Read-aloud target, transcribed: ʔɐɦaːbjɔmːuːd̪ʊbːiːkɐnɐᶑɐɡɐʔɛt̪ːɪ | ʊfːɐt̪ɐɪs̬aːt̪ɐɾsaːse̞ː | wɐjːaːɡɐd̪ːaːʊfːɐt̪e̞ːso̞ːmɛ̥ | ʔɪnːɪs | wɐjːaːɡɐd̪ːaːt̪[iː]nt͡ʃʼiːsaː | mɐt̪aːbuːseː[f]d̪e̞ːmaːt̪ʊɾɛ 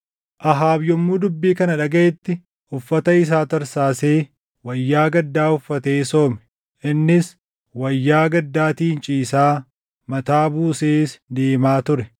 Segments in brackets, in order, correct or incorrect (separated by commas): correct, incorrect